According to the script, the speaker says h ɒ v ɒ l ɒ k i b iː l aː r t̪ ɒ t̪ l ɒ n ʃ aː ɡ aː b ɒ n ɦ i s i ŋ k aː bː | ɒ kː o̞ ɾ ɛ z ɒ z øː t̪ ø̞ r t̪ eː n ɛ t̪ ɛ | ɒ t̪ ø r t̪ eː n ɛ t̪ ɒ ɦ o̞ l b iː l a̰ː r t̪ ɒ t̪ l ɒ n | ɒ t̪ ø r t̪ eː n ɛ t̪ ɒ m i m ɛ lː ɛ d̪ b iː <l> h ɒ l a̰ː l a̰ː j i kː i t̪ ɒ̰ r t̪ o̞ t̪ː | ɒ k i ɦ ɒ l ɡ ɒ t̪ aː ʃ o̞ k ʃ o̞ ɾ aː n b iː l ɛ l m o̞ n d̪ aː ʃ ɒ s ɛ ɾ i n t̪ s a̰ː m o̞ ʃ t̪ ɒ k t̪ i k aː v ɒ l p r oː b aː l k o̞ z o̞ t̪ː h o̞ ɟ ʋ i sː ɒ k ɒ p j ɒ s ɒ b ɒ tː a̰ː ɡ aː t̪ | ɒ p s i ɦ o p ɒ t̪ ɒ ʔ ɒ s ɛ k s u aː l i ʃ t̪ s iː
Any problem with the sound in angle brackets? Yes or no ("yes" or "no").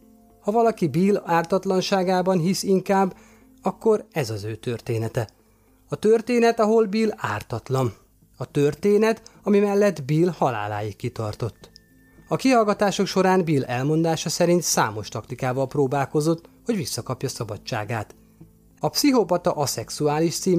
no